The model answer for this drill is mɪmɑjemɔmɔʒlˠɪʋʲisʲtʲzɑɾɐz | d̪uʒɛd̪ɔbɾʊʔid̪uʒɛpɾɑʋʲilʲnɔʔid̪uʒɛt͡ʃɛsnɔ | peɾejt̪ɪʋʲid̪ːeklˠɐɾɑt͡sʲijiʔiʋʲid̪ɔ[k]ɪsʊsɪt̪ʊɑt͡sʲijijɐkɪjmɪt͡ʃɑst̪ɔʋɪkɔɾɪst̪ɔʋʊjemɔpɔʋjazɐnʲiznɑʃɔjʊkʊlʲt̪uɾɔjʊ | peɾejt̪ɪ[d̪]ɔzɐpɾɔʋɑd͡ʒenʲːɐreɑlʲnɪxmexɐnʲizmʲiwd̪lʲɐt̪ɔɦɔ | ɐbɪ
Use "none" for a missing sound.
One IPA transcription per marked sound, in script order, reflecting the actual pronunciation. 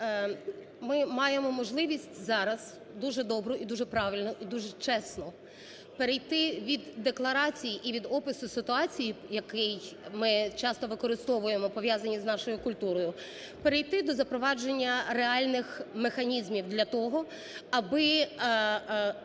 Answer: p, d̪

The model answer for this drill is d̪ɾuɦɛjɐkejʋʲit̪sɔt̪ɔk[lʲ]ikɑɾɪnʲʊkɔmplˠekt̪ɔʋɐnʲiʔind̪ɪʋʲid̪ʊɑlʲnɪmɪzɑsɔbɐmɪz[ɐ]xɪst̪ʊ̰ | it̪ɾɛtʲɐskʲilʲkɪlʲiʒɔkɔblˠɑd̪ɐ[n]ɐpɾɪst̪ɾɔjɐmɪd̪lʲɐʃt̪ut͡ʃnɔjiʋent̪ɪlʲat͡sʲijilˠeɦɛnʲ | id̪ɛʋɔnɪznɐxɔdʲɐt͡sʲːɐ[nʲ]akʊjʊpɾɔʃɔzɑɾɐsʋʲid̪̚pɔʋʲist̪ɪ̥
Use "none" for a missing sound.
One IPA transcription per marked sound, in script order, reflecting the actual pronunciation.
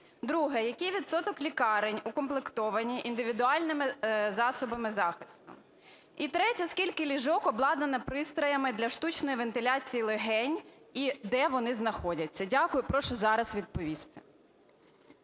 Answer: lʲ, ɑ, n, dʲ

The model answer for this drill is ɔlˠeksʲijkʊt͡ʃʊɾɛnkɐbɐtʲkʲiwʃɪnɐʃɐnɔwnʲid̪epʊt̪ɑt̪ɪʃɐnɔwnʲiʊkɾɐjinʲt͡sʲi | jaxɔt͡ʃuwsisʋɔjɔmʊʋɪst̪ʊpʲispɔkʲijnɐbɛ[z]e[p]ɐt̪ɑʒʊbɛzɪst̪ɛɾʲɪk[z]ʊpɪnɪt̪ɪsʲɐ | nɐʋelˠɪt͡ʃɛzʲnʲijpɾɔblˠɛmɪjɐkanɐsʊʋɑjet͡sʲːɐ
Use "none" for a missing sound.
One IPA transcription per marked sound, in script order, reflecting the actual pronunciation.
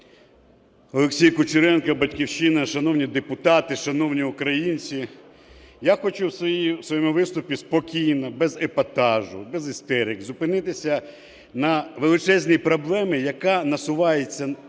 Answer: z, p, z

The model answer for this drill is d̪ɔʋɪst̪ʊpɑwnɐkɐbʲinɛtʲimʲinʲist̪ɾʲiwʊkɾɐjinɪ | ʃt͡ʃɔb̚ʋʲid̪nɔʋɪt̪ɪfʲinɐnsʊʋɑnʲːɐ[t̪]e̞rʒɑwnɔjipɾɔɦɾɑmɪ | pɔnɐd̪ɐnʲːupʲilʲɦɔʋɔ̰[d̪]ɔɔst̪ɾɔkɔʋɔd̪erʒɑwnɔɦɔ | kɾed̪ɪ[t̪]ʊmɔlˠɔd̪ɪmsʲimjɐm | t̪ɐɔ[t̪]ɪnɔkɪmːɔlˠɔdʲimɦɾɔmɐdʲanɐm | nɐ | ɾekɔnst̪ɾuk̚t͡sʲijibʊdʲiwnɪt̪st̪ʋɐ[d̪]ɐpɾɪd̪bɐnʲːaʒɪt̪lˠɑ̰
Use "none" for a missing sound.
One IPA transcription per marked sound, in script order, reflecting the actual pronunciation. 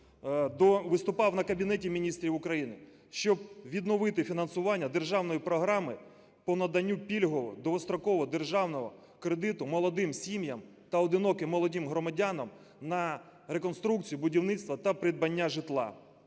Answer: d̪, d̪, t̪, d̪, t̪

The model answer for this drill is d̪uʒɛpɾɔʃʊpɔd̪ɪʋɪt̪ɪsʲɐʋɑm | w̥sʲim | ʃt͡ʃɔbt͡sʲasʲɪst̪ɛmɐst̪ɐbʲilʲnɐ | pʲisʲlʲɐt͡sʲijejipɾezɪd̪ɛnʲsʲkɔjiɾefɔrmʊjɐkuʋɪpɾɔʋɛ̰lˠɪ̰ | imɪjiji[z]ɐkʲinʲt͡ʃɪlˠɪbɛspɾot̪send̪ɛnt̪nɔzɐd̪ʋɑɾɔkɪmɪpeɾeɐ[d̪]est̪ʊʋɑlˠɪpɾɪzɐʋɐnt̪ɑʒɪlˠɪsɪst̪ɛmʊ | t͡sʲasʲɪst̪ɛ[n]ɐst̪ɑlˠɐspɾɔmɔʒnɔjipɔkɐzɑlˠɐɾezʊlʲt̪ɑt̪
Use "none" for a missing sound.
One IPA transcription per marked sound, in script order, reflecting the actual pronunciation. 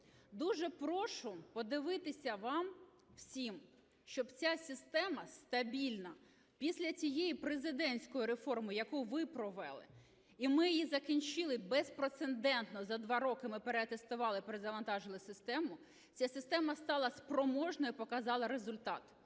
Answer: z, t̪, m

